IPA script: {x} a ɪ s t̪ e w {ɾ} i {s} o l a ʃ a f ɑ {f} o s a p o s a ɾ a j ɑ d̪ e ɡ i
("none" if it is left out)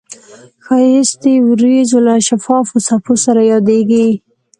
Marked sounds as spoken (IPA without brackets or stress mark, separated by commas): x, ɾ, z, f